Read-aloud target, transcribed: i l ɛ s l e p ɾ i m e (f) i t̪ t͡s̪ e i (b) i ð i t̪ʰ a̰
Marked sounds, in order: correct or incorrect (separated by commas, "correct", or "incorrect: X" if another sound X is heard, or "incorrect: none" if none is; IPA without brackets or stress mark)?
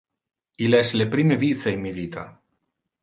incorrect: v, incorrect: m